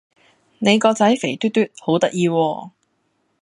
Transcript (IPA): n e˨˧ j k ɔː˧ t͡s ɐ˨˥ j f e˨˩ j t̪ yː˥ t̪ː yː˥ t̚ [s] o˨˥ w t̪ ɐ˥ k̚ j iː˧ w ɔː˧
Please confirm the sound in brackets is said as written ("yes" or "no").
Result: no